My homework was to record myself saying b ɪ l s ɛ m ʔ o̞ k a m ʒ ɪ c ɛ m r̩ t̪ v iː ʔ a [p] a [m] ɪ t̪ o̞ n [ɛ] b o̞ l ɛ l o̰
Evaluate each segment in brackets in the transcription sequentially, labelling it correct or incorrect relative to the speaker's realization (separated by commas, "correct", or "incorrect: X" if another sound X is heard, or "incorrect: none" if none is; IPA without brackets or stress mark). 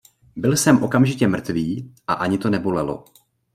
incorrect: ʔ, incorrect: ɲ, correct